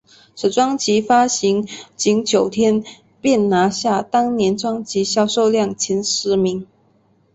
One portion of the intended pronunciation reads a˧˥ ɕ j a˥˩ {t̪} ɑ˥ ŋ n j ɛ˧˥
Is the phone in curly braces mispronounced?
no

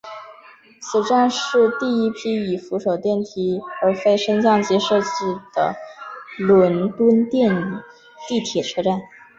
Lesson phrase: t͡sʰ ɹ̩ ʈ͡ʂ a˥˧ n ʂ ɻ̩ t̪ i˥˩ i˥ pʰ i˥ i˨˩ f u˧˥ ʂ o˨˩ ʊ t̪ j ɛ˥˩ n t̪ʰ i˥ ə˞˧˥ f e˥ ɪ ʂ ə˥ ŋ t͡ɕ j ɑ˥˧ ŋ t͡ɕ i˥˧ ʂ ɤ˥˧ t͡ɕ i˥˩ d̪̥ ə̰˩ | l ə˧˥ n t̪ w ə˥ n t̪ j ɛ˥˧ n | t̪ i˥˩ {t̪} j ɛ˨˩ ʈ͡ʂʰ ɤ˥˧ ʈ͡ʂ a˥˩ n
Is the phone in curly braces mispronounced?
yes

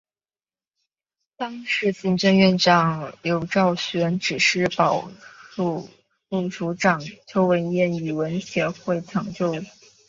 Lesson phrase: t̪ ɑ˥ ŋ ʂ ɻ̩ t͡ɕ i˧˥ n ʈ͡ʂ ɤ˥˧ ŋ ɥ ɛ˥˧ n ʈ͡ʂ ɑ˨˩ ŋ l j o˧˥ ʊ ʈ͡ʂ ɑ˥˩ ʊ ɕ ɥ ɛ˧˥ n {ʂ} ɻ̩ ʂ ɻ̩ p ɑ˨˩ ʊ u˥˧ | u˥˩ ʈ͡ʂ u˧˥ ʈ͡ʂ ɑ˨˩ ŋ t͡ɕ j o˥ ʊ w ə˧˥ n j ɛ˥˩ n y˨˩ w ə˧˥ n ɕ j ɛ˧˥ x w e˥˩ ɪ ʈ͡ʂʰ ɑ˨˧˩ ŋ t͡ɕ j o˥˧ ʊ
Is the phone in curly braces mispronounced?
yes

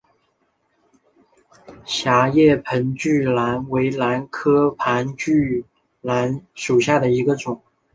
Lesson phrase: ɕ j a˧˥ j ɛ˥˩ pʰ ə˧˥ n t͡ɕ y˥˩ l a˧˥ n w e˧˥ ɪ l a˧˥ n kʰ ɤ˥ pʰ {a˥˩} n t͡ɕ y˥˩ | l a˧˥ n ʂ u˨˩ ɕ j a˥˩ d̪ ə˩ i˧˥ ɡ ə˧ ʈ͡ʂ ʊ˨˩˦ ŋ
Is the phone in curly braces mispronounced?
yes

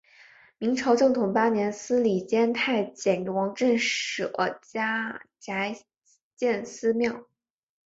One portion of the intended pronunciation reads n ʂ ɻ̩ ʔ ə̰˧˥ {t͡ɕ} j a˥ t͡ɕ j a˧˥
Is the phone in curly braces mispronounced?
no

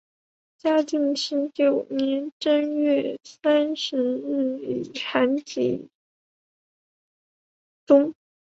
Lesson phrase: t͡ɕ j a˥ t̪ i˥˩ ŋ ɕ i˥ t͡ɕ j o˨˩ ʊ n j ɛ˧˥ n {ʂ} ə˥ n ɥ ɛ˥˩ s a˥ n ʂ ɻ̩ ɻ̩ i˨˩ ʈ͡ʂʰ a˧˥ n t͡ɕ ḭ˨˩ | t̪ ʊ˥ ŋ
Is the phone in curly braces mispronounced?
yes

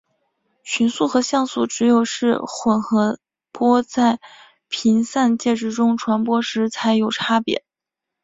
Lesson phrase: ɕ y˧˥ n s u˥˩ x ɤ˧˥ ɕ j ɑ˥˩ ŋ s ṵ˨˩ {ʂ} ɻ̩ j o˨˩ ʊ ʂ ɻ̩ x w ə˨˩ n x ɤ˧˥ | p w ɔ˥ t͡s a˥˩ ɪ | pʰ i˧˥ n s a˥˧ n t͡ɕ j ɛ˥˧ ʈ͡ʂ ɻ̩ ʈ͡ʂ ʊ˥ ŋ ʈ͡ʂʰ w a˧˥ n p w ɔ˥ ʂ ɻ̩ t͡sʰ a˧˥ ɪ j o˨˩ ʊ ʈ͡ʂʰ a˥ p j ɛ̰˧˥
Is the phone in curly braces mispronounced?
yes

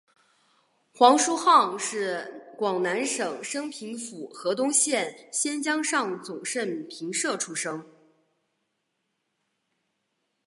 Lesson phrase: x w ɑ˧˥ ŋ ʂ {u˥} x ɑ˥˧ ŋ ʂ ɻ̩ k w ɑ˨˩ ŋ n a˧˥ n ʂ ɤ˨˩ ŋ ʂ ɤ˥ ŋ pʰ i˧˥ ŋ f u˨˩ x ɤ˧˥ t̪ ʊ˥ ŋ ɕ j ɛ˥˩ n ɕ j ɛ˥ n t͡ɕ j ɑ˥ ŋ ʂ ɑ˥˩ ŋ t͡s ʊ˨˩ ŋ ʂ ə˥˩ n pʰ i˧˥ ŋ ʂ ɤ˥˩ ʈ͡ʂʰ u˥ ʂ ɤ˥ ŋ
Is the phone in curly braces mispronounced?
no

